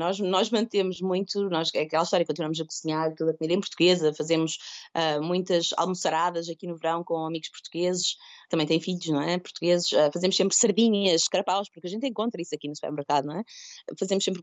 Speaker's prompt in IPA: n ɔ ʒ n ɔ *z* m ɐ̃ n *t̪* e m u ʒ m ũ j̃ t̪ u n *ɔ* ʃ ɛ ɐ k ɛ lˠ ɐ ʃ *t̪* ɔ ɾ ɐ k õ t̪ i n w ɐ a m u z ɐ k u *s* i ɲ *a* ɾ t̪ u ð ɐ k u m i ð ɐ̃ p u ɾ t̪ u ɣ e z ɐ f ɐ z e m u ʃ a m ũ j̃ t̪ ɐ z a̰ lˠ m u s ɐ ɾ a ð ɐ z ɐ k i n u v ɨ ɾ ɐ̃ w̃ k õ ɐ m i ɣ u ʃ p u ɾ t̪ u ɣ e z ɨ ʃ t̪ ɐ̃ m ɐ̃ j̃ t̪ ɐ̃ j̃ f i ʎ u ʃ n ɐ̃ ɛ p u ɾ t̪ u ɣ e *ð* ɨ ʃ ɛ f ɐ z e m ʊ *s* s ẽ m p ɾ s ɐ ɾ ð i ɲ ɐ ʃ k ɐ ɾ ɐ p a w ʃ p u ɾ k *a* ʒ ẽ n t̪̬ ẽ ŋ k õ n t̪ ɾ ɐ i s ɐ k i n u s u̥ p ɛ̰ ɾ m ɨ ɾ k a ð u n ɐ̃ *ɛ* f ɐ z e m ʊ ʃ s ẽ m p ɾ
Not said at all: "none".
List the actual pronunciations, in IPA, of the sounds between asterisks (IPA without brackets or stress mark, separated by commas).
ʒ, t̪, ɔ, t̪, z, a, z, ʃ, ɐ, ɛ